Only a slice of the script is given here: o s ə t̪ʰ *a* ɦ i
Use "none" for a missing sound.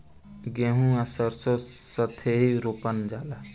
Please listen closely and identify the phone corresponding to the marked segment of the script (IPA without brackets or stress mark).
e